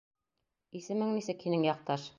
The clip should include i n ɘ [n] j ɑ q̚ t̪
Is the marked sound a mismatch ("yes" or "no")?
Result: yes